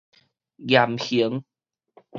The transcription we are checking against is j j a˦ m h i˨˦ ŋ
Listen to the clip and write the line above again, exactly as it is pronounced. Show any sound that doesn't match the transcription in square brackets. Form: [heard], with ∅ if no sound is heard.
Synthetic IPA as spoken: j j [a˨˩] m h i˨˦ ŋ